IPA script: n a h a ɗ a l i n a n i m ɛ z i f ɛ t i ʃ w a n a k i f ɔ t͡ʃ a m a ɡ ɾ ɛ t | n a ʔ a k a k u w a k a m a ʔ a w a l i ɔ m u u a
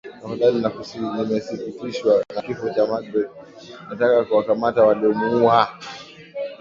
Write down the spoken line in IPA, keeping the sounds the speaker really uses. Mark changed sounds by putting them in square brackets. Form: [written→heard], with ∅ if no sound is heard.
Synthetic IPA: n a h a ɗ a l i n a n i m ɛ [z→s] i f [ɛ→i] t i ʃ w a n a k i f ɔ t͡ʃ a m a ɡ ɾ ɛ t | n a [ʔ→t] a k a k u w a k a m a [ʔ→t] a w a l i ɔ m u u a